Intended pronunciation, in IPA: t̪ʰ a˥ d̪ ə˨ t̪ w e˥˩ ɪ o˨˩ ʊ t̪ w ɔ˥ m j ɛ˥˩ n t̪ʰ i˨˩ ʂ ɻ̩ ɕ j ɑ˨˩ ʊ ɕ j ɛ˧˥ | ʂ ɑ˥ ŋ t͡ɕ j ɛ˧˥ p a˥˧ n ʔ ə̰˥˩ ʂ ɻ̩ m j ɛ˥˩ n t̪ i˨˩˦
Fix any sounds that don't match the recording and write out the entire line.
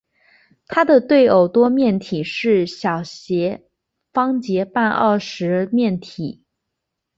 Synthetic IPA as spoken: t̪ʰ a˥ d̪ ə˨ t̪ w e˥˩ ɪ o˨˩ ʊ t̪ w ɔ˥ m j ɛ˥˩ n t̪ʰ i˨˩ ʂ ɻ̩ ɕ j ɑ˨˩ ʊ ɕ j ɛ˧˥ | f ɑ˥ ŋ t͡ɕ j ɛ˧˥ p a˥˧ n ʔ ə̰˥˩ ʂ ɻ̩ m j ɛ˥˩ n t̪ʰ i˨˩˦